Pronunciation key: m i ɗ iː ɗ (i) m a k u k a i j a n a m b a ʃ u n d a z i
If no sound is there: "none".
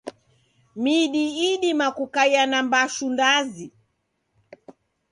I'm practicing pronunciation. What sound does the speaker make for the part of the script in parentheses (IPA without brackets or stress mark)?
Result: i